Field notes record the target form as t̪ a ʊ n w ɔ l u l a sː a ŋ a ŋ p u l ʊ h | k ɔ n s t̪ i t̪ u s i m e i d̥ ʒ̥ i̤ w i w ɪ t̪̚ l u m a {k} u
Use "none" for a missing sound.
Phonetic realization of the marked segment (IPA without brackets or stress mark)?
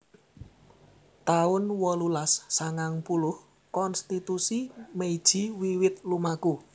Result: k